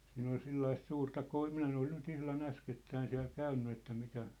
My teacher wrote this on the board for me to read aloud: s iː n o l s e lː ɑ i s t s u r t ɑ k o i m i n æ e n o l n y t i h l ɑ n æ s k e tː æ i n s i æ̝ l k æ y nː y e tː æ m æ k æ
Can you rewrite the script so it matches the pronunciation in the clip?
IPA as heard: s iː n o l s e lː ɑ i s t s uː r t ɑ k o i m i n æ e n o l n y t i h l ɑ n æ s k e tː æ i n s i æ̝ l k æ y nː y e tː æ m i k æ